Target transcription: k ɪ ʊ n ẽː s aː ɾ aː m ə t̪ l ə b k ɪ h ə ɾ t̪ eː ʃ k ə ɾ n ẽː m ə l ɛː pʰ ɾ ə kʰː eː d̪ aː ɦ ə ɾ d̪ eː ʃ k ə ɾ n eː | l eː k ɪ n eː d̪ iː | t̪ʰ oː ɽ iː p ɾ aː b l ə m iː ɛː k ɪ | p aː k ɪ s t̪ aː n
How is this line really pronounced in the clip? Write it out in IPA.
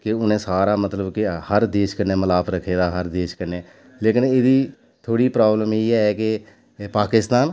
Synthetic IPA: k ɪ ʊ n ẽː s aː ɾ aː m ə t̪ l ə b k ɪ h ə ɾ d̪ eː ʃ k ə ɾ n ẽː m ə l aː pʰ ɾ ə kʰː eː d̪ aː ɦ ə ɾ d̪ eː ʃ k ə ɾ n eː | l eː k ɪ n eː d̪ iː | t̪ʰ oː ɽ iː p ɾ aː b l ə m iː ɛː k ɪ | p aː k ɪ s t̪ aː n